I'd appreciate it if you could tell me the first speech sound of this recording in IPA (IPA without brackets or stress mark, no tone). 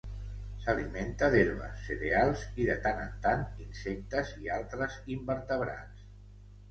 s